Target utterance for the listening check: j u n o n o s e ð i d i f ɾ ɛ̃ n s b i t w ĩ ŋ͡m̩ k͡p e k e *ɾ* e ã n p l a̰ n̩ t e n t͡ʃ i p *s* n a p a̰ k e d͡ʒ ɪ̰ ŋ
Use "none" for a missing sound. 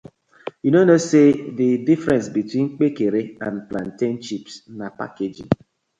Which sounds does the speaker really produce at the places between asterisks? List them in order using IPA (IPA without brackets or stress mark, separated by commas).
ɾ, s